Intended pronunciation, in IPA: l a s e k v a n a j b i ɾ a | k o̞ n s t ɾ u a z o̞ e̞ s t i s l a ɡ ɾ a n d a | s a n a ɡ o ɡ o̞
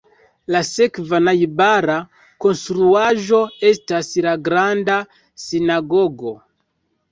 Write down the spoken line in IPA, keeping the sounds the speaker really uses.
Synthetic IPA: l a s e k v a n a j b a ɾ a | k o̞ n s t ɾ u a ʒ o̞ e̞ s t a s l a ɡ ɾ a n d a | s i n a ɡ o ɡ o̞

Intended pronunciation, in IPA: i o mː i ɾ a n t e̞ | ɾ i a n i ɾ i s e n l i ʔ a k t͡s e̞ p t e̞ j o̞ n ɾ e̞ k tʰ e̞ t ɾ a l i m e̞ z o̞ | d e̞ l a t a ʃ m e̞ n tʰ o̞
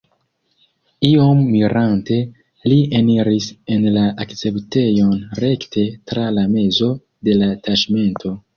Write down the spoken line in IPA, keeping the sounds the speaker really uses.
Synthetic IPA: i o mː i ɾ a n t e̞ | l i e n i ɾ i s e n l a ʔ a k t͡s e̞ p t e̞ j o̞ n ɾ e̞ k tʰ e̞ t ɾ a l a m e̞ z o̞ | d e̞ l a t a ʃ m e̞ n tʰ o̞

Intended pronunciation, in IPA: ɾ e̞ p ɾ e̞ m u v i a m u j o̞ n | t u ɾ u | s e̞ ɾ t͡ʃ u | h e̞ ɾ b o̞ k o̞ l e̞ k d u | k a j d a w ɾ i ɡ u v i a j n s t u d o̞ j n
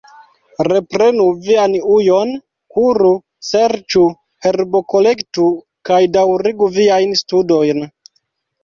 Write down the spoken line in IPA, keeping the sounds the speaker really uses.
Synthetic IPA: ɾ e̞ p ɾ e̞ n u v i a n u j o̞ n | k u ɾ u | s e̞ ɾ t͡ʃ u | h e̞ ɾ b o̞ k o̞ l e̞ k t u | k a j d a w ɾ i ɡ u v i a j n s t u d o̞ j n

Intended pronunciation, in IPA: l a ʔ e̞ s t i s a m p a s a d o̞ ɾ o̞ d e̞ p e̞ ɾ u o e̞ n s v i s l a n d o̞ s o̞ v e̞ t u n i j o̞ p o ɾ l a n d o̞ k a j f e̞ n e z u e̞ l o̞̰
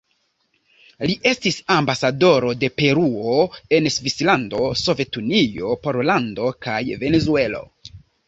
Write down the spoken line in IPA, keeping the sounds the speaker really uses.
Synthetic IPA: l i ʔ e̞ s t i s a m b a s a d o̞ ɾ o̞ d e̞ p e̞ ɾ u o e̞ n s v i s l a n d o̞ s o̞ v e̞ t u n i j o̞ p o ɾ l a n d o̞ k a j v e̞ n e z u e̞ l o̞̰

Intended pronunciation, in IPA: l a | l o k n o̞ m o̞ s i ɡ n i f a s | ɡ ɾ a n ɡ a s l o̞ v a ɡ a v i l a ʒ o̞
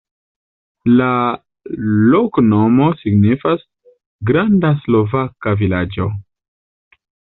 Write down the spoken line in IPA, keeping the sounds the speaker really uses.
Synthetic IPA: l a | l o k n o̞ m o̞ s i ɡ n i f a s | ɡ ɾ a n d a s l o̞ v a k a v i l a d͡ʒ o̞

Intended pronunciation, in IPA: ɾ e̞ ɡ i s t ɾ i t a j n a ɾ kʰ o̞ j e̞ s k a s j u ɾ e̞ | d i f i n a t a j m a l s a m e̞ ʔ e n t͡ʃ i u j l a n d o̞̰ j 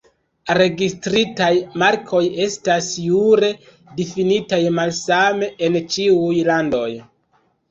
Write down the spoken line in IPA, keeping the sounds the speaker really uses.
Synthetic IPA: ɾ e̞ ɡ i s t ɾ i t a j m a ɾ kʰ o̞ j e̞ s t a s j u ɾ e̞ | d i f i n i t a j m a l s a m e̞ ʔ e n t͡ʃ i u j l a n d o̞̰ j

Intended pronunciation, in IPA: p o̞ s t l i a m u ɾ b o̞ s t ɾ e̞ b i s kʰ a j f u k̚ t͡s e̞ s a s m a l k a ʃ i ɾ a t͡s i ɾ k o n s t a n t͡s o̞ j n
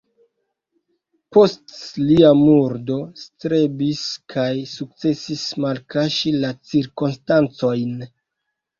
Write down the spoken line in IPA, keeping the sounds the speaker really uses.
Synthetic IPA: p o̞ s t l i a m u ɾ d o̞ s t ɾ e̞ b i s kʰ a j s u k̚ t͡s e̞ s i s m a l k a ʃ i l a t͡s i ɾ k o n s t a n t͡s o̞ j n

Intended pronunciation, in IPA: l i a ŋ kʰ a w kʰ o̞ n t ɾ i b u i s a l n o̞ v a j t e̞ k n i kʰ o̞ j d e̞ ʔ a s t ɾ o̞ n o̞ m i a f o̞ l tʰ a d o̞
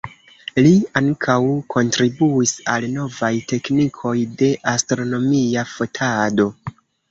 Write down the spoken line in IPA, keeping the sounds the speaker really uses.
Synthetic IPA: l i a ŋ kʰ a w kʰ o̞ n t ɾ i b u i s a l n o̞ v a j t e̞ k n i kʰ o̞ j d e̞ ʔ a s t ɾ o̞ n o̞ m i a f o̞ tʰ a d o̞

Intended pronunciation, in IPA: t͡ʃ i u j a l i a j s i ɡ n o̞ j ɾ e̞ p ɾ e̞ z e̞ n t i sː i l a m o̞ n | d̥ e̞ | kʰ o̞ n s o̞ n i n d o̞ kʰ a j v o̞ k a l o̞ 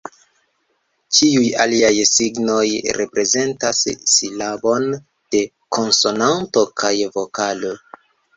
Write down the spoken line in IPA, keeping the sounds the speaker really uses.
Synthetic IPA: t͡ʃ i u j a l i a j s i ɡ n o̞ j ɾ e̞ p ɾ e̞ z e̞ n t a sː i l a b o̞ n | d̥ e̞ | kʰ o̞ n s o̞ n a n t o̞ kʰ a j v o̞ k a l o̞

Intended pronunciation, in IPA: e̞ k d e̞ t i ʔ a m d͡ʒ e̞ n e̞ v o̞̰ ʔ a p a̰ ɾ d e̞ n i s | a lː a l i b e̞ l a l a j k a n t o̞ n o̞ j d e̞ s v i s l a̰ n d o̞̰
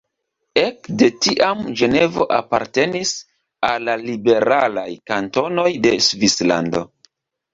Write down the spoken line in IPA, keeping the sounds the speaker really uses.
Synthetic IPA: e̞ k d e̞ t i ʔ a m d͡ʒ e̞ n e̞ v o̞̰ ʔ a p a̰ ɾ t e̞ n i s | a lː a l i b e̞ ɾ a l a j k a n t o̞ n o̞ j d e̞ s v i s l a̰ n d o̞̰

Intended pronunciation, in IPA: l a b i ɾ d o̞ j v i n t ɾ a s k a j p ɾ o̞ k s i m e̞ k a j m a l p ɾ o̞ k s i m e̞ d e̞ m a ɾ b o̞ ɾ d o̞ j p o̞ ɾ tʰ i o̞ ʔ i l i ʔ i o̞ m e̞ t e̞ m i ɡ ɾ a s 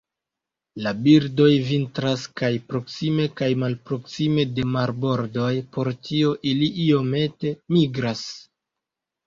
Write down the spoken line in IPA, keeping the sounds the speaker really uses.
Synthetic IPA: l a b i ɾ d o̞ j v i n t ɾ a s k a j p ɾ o̞ k s i m e̞ k a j m a l p ɾ o̞ k s i m e̞ d e̞ m a ɾ b o̞ ɾ d o̞ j p o̞ ɾ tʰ i o̞ ʔ i l i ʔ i o̞ m e̞ t e̞ m i ɡ ɾ a s

